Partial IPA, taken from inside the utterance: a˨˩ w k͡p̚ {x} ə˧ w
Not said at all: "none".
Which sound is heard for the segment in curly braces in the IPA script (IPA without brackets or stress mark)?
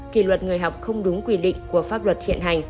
x